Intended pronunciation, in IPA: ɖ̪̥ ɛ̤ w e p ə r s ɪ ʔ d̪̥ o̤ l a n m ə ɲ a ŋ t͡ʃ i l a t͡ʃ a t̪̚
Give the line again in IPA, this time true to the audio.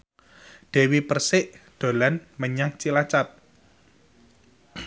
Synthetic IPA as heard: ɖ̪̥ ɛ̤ w i p ə r s ɪ ʔ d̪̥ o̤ l a n m ə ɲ a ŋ t͡ʃ i l a t͡ʃ a t̪̚